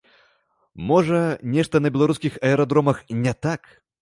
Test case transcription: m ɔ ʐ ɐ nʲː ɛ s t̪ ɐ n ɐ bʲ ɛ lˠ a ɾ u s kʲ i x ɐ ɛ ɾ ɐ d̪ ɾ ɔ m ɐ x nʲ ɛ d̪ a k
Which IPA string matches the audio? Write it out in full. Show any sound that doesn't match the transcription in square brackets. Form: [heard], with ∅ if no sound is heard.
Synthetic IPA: m ɔ ʐ ɐ [nʲ] ɛ [ʂ] t̪ ɐ n ɐ bʲ ɛ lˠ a ɾ u s kʲ i x ɐ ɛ ɾ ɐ d̪ ɾ ɔ m ɐ x nʲ ɛ [t̪] a k